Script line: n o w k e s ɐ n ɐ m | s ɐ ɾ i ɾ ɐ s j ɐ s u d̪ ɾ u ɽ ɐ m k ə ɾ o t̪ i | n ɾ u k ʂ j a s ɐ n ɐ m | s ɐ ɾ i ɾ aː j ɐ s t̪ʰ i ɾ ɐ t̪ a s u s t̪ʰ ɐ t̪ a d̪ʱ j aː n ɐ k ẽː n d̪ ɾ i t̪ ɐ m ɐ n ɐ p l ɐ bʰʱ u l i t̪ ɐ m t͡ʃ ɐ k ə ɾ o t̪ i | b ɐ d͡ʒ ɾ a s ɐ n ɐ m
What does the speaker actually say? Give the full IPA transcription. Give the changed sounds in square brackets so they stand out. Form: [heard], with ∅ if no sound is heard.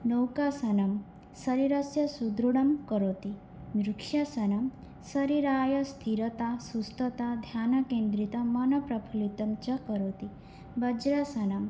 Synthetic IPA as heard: n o w k [a] s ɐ n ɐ m | s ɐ ɾ i ɾ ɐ s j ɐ s u d̪ ɾ u ɽ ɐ m k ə ɾ o t̪ i | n ɾ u k ʂ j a s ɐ n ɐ m | s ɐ ɾ i ɾ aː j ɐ s t̪ʰ i ɾ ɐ t̪ a s u s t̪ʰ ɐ t̪ a d̪ʱ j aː n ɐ k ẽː n d̪ ɾ i t̪ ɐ m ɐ n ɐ p [ɾ] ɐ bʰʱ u l i t̪ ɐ m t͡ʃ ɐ k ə ɾ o t̪ i | b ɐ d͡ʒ ɾ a s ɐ n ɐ m

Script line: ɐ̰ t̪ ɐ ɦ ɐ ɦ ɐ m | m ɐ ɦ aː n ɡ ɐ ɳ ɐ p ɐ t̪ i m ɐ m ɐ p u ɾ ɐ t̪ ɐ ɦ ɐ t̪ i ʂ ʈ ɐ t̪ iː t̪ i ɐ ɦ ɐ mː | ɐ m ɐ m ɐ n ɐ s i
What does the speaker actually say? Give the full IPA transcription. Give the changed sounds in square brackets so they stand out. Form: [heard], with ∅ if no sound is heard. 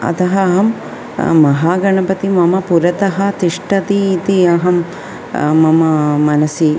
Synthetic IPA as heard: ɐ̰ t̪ ɐ ɦ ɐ ɦ ɐ m | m ɐ ɦ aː [∅] ɡ ɐ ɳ ɐ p ɐ t̪ i m ɐ m ɐ p u ɾ ɐ t̪ ɐ ɦ ɐ t̪ i ʂ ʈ ɐ t̪ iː t̪ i ɐ ɦ ɐ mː | ɐ m ɐ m ɐ n ɐ s i

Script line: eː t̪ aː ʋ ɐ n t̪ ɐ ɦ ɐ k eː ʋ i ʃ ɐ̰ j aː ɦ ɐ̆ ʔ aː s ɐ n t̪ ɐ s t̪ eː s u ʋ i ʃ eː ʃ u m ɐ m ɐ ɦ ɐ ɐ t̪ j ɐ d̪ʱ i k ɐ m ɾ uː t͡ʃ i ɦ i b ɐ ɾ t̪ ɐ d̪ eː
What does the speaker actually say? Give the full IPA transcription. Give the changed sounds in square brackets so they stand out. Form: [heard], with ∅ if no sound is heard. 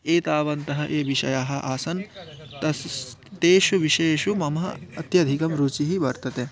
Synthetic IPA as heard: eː t̪ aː ʋ ɐ n t̪ ɐ ɦ ɐ [ʔ] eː ʋ i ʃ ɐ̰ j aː ɦ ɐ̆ ʔ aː s ɐ n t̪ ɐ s t̪ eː [ʃ] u ʋ i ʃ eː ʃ u m ɐ m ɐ ɦ ɐ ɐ t̪ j ɐ d̪ʱ i k ɐ m ɾ uː t͡ʃ i ɦ i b ɐ ɾ t̪ ɐ [t̪] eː

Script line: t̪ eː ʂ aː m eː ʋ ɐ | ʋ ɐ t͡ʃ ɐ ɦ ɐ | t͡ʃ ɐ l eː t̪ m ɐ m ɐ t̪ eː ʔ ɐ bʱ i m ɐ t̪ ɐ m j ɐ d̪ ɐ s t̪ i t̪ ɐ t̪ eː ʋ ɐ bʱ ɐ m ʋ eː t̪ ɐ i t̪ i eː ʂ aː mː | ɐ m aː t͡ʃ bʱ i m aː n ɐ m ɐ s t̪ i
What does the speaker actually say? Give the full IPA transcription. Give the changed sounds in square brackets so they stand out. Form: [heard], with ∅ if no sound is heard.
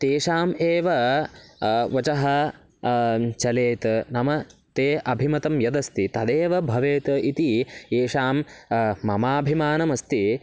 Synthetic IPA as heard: t̪ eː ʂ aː m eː ʋ ɐ | ʋ ɐ t͡ʃ ɐ ɦ ɐ | t͡ʃ ɐ l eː t̪ [n] ɐ m ɐ t̪ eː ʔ ɐ bʱ i m ɐ t̪ ɐ m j ɐ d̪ ɐ s t̪ i t̪ ɐ [d̪] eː ʋ ɐ bʱ ɐ [∅] ʋ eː t̪ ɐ i t̪ i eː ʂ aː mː | ɐ m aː [∅] bʱ i m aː n ɐ m ɐ s t̪ i

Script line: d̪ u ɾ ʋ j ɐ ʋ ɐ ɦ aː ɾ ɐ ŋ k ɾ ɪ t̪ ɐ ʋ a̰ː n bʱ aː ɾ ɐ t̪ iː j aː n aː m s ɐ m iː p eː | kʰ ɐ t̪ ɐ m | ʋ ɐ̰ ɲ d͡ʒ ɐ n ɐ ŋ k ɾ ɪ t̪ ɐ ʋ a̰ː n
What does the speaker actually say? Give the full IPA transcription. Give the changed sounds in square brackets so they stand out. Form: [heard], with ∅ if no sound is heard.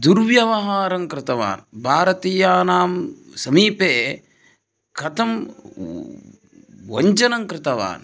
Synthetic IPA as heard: d̪ u ɾ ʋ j ɐ ʋ ɐ ɦ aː ɾ ɐ ŋ k ɾ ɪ t̪ ɐ ʋ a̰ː n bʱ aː ɾ ɐ t̪ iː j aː n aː m s ɐ m iː p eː | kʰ ɐ t̪ ɐ m | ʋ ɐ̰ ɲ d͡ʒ ɐ n ɐ ŋ k ɾ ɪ t̪ ɐ ʋ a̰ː n

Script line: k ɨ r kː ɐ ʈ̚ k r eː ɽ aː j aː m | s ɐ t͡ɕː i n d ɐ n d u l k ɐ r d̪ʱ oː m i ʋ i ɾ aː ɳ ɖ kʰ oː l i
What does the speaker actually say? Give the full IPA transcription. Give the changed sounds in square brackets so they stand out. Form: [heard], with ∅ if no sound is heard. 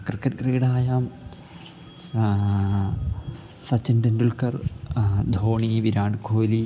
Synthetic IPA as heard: k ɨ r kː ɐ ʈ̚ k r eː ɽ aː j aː m | s ɐ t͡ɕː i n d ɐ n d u l k ɐ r d̪ʱ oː [ɳ] i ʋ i ɾ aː ɳ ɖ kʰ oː l i

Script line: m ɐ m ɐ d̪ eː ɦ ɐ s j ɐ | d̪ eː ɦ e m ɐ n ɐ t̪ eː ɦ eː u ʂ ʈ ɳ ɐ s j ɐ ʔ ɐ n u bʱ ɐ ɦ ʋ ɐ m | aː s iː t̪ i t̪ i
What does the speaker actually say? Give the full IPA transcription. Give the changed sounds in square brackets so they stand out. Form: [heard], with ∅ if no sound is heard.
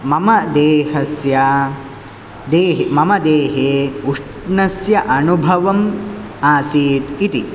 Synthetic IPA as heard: m ɐ m ɐ d̪ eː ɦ ɐ s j ɐ | d̪ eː ɦ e m ɐ [m] ɐ [d̪] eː ɦ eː u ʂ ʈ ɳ ɐ s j ɐ ʔ ɐ n u bʱ ɐ [∅] ʋ ɐ m | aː s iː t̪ i t̪ i

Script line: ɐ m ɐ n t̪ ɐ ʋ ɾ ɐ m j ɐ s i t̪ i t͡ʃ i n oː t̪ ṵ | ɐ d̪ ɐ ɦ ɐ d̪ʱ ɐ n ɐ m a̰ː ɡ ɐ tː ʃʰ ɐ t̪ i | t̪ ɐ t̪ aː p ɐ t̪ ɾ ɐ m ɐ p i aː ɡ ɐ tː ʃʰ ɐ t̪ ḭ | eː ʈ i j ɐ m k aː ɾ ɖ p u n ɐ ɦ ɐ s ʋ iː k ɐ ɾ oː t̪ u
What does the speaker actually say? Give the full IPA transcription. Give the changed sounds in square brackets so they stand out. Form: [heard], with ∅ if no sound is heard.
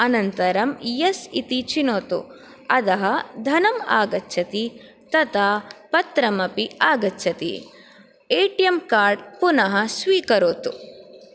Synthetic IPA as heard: ɐ [n] ɐ n t̪ ɐ [∅] ɾ ɐ m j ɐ s i t̪ i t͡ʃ i n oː t̪ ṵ | ɐ d̪ ɐ ɦ ɐ d̪ʱ ɐ n ɐ m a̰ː ɡ ɐ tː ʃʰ ɐ t̪ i | t̪ ɐ t̪ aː p ɐ t̪ ɾ ɐ m ɐ p i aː ɡ ɐ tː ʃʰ ɐ t̪ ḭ | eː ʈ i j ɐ m k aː ɾ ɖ p u n ɐ ɦ ɐ s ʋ iː k ɐ ɾ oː t̪ u

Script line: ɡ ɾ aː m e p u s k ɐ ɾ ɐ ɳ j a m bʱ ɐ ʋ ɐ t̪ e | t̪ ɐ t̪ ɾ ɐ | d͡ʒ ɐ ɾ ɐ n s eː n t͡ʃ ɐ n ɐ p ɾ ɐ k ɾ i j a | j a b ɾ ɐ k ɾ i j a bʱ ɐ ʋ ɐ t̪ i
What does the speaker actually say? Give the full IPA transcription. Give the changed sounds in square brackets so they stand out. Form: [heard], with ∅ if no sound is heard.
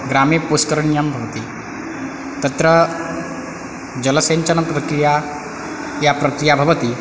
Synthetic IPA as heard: ɡ ɾ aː m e p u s k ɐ ɾ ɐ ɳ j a m bʱ ɐ ʋ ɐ t̪ [i] | t̪ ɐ t̪ ɾ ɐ | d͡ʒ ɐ [l] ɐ [∅] s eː n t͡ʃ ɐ n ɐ p ɾ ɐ k ɾ i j a | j a [p] ɾ ɐ k ɾ i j a bʱ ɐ ʋ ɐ t̪ i

